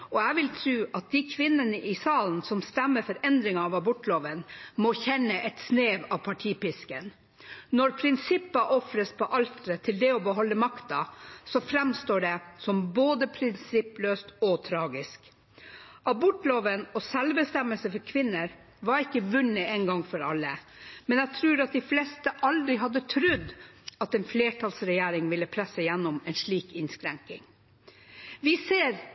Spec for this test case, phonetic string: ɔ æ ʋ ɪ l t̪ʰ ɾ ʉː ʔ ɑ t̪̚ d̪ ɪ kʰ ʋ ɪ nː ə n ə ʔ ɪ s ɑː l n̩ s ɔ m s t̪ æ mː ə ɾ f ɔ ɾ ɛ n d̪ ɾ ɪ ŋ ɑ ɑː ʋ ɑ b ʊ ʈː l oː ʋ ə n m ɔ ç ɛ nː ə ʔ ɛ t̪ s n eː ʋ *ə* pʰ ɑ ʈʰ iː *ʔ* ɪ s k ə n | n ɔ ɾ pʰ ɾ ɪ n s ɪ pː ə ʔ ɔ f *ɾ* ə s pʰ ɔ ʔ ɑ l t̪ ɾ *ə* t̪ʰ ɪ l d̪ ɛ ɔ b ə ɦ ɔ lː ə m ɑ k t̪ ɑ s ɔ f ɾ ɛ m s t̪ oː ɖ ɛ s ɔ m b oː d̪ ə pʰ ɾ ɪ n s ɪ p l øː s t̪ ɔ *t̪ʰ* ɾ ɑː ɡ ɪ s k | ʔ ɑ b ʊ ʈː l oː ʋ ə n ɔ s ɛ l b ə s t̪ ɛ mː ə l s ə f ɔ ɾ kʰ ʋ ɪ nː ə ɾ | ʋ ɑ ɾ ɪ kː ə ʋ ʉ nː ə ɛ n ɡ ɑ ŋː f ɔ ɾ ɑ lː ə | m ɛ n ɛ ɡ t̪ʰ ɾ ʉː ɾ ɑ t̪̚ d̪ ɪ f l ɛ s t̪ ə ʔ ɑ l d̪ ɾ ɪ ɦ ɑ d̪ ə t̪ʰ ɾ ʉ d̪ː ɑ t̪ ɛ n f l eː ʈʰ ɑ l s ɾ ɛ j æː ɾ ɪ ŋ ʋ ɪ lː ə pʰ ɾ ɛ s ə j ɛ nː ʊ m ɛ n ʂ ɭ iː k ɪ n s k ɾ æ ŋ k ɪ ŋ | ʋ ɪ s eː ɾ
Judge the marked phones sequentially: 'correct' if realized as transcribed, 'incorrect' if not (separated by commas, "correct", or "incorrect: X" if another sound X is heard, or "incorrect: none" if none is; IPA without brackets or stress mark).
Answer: incorrect: ɑ, incorrect: p, correct, correct, correct